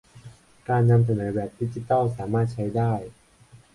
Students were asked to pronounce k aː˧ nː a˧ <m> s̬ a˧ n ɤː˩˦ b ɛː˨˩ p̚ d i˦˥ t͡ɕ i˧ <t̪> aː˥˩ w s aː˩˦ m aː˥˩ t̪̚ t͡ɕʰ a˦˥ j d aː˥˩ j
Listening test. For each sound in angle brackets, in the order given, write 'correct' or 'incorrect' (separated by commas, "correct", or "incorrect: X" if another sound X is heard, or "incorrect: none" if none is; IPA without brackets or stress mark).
correct, correct